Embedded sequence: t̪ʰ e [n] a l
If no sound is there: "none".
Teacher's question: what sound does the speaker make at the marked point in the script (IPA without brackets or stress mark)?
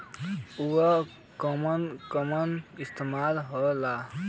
m